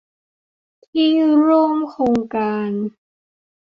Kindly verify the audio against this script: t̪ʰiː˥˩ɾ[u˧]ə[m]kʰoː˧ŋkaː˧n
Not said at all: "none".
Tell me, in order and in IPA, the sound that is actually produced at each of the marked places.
u˥˩, m

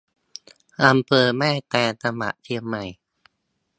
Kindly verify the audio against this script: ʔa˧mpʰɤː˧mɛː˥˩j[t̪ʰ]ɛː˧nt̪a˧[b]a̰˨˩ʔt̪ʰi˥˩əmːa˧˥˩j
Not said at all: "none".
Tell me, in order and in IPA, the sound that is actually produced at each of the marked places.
t̪, m

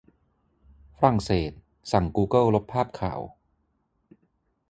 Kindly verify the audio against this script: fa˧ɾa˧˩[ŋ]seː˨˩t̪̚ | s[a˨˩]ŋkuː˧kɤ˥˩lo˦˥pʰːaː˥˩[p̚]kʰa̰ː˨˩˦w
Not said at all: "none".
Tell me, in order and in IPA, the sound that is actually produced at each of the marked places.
ŋ, a˨˩, p̚

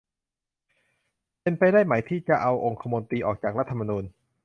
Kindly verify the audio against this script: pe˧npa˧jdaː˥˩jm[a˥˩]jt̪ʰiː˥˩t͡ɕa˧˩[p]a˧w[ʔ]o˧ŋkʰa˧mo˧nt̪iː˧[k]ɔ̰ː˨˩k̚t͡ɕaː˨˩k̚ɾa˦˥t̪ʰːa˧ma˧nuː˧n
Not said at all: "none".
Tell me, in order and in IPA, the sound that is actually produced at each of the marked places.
a˩˦, ʔ, ʔ, ʔ

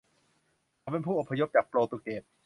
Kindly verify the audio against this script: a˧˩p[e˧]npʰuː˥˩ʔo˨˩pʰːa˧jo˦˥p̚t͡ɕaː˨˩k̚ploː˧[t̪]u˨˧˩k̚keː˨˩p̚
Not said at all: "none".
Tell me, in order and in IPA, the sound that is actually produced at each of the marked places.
e˧, t̪

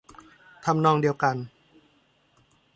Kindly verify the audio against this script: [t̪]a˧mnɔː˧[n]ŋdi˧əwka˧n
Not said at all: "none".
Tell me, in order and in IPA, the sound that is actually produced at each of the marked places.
t̪ʰ, none

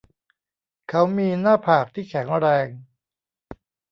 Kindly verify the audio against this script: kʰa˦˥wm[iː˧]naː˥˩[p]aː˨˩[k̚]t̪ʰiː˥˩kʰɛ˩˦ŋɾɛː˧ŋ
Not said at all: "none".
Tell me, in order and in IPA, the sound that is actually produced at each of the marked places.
iː˧, pʰ, k̚

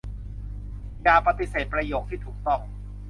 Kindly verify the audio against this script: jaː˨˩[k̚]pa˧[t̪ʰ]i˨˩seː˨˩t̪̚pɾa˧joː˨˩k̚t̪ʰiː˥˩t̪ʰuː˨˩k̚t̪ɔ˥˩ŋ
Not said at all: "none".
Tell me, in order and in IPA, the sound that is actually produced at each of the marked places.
none, t̪

